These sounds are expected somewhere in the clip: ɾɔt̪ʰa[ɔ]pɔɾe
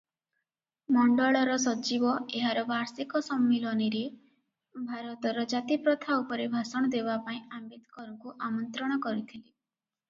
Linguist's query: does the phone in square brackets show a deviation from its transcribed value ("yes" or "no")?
yes